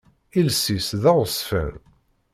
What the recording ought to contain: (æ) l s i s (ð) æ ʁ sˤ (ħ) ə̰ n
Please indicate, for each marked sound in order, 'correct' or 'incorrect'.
incorrect: i, correct, incorrect: f

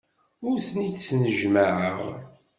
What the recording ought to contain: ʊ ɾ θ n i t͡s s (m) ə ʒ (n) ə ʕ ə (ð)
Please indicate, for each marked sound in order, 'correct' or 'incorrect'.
incorrect: n, incorrect: m, incorrect: ʁ

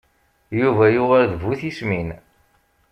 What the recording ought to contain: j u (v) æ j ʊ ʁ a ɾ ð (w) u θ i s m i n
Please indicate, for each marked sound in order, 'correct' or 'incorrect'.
correct, incorrect: v

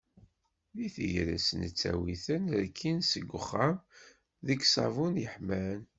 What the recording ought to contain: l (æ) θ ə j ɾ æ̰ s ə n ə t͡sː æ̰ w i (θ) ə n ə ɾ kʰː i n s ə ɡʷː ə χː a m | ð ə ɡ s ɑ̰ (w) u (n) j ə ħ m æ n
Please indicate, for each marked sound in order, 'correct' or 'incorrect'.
incorrect: i, correct, incorrect: v, correct

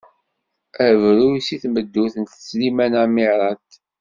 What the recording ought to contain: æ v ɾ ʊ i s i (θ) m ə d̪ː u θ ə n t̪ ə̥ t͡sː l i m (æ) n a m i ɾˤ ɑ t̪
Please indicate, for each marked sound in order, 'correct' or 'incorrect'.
correct, correct

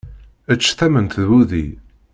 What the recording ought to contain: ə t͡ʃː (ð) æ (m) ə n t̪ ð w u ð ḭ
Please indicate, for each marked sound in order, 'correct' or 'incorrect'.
incorrect: θ, correct

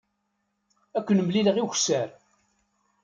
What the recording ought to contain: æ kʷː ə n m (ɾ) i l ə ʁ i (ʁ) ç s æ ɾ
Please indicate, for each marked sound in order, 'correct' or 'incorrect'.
incorrect: l, incorrect: none

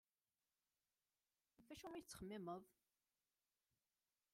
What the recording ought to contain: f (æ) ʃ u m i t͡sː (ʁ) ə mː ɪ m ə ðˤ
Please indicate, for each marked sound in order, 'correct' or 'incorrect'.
correct, incorrect: χ

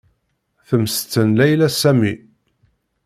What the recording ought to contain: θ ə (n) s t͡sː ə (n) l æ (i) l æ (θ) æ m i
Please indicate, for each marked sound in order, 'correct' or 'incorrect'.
incorrect: m, correct, incorrect: j, incorrect: s

